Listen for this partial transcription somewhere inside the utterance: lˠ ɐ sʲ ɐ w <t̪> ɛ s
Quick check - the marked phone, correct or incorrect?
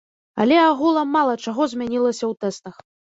correct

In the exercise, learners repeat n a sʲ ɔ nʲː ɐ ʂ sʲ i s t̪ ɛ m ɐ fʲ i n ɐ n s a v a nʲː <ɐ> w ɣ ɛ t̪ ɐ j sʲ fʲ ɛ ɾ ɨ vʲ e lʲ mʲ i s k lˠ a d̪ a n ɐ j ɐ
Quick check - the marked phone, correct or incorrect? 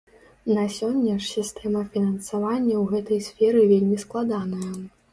correct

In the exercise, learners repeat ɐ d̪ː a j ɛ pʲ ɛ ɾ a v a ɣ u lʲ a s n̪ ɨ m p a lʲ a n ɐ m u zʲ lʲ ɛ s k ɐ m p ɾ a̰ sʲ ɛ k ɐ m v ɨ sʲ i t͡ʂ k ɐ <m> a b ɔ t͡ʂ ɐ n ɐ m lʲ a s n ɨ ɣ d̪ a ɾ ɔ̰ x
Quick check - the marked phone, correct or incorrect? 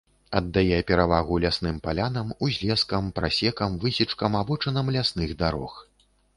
correct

